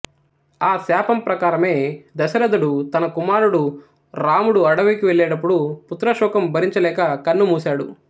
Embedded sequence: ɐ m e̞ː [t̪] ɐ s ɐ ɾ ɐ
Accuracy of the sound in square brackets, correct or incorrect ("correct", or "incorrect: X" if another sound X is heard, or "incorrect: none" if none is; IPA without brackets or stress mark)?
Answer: incorrect: d̪